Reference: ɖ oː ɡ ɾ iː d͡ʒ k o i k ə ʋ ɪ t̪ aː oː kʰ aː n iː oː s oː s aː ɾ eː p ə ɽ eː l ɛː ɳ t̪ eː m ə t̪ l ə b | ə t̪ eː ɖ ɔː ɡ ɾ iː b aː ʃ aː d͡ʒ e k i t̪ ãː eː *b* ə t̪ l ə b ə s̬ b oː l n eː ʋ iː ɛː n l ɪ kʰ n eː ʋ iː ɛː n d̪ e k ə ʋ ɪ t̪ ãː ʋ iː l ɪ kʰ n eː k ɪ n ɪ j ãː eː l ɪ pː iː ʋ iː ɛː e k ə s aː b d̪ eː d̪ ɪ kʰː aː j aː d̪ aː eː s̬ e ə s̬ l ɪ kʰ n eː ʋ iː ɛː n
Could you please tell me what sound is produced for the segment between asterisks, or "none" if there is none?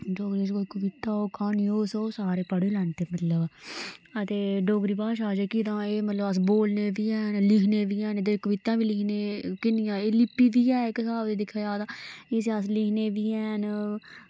m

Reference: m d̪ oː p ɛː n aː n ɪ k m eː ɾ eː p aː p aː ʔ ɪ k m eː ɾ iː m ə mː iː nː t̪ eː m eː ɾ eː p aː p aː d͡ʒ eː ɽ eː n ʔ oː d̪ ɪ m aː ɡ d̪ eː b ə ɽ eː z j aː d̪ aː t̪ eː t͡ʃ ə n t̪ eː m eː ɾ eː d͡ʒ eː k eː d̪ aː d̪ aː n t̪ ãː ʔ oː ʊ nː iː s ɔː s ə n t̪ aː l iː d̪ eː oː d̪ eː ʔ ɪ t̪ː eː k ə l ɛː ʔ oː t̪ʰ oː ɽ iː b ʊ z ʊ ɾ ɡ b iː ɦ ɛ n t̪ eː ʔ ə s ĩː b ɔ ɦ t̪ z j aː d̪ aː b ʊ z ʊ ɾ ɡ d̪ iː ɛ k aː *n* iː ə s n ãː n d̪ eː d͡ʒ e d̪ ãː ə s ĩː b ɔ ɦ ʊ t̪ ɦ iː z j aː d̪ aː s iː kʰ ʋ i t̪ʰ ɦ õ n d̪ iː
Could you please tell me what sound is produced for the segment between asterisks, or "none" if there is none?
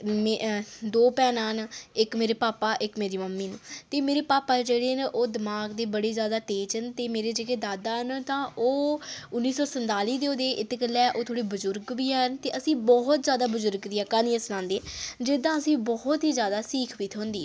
n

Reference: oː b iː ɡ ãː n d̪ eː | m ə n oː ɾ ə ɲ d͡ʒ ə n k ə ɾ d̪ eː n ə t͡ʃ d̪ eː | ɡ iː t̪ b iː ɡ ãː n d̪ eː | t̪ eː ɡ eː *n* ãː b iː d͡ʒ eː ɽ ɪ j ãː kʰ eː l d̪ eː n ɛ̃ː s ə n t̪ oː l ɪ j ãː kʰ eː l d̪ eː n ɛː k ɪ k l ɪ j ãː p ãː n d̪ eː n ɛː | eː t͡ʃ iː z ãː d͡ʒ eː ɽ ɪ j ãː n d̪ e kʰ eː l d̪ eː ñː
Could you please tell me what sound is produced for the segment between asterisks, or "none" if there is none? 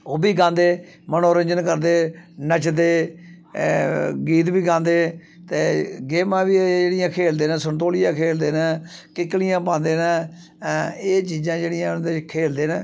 m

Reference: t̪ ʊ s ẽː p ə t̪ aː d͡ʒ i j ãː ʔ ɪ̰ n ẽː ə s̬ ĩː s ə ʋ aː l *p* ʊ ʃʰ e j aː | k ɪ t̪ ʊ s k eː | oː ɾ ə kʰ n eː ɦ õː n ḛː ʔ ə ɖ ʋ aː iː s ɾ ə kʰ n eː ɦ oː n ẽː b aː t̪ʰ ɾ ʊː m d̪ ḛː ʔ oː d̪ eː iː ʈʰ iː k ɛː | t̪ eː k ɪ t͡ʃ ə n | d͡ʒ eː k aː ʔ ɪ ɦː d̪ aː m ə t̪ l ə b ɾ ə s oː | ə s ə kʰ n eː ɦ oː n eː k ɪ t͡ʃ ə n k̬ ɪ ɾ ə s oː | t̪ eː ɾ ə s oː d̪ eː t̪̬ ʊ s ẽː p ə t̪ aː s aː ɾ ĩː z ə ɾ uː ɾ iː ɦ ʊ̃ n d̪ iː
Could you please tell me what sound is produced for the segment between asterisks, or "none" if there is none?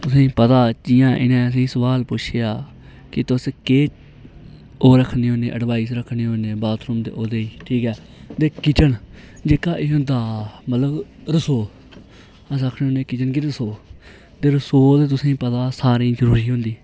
p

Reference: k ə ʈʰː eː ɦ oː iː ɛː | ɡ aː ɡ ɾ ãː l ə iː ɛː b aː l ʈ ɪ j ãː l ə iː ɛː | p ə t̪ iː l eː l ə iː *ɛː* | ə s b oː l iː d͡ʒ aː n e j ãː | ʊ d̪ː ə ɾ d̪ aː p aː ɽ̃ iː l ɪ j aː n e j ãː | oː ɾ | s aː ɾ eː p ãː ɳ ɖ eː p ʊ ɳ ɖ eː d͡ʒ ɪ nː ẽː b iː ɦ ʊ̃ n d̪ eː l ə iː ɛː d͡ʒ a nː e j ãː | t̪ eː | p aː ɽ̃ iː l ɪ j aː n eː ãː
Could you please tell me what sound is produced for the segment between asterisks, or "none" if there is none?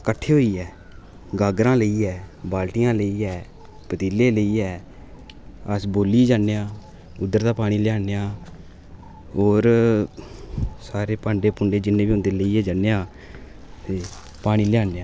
ɛː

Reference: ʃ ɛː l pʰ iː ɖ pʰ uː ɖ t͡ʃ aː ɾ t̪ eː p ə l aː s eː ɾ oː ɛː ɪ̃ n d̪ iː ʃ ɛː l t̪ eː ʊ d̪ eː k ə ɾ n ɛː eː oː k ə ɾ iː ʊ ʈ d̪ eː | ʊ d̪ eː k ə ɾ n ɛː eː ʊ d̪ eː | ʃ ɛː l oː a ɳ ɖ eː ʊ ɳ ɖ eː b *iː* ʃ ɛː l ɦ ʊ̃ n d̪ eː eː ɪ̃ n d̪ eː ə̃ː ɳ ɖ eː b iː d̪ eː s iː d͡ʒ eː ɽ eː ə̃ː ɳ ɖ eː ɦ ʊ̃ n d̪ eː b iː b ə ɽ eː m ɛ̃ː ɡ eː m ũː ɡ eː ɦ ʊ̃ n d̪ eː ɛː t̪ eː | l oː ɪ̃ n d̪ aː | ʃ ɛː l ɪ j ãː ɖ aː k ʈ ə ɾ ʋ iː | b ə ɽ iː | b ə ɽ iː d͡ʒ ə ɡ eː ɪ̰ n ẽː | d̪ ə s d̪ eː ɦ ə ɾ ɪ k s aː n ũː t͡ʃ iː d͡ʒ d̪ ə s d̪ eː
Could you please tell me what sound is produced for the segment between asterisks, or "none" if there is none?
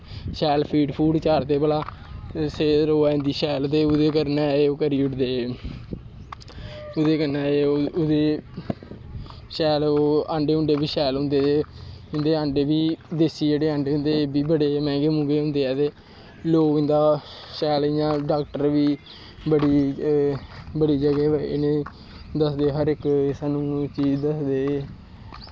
iː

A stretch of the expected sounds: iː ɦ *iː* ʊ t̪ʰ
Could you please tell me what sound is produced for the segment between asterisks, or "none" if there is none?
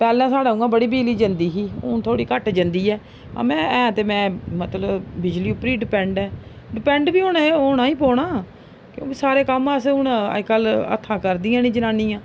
iː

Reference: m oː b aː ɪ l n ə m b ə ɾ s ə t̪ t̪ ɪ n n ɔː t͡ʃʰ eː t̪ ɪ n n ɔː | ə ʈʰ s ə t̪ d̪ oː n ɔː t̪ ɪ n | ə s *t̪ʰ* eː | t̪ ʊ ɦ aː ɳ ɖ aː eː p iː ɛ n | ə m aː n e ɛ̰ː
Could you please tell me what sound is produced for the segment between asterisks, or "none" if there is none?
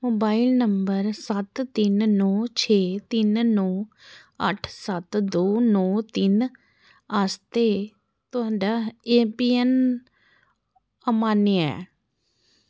t̪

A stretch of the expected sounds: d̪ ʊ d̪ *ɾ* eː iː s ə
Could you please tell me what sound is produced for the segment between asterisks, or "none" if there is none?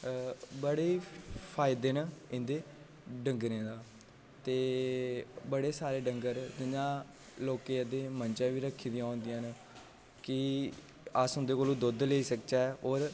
l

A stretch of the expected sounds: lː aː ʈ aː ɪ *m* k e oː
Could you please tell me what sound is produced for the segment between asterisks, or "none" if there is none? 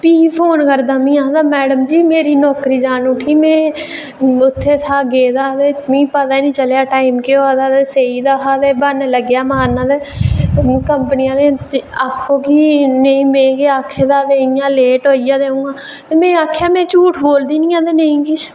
m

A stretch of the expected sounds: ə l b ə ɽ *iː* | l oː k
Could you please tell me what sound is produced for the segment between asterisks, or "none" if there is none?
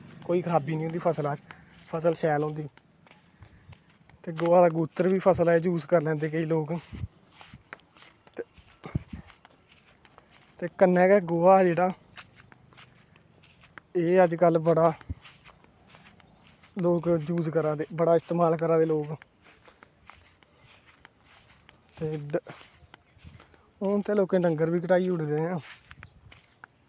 aː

